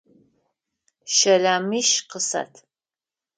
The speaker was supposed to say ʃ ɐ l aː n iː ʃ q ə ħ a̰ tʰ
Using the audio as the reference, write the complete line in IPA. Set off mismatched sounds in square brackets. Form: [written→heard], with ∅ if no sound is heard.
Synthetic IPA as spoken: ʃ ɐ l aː [n→m] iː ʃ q ə [ħ→s] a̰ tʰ